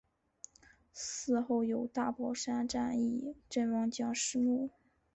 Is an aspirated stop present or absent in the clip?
absent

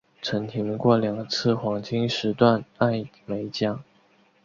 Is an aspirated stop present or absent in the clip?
present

